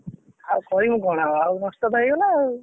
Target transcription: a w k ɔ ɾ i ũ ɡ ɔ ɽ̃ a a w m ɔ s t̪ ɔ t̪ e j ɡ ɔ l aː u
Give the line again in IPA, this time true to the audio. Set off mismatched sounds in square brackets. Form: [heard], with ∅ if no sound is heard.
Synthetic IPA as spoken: a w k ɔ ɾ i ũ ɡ ɔ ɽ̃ a a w [n] ɔ s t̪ ɔ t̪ [a] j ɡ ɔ l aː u